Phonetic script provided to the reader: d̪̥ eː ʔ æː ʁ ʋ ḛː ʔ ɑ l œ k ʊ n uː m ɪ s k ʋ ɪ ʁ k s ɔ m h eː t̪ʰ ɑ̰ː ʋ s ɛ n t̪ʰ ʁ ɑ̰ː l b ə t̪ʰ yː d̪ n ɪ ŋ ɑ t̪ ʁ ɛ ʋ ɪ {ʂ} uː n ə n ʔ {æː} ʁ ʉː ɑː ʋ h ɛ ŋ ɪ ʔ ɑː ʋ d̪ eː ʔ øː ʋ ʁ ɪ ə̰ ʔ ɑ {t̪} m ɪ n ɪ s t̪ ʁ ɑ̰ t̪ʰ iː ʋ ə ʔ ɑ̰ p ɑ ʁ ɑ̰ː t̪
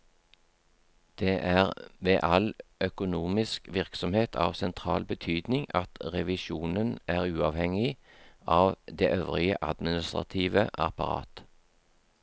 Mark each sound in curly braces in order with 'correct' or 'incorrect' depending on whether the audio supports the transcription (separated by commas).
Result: incorrect, correct, incorrect